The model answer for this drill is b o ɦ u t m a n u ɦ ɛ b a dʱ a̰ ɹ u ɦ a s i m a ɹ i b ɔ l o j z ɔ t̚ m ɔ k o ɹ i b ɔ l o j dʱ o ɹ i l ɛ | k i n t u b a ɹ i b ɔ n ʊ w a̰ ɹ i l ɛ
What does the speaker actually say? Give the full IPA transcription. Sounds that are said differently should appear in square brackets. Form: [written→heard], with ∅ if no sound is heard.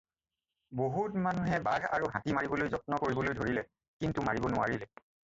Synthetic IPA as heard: b o ɦ u t m a n u ɦ ɛ b a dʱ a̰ ɹ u ɦ a [s→t] i m a ɹ i b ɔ l o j z ɔ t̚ [m→n] ɔ k o ɹ i b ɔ l o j dʱ o ɹ i l ɛ | k i n t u [b→m] a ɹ i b ɔ n ʊ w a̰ ɹ i l ɛ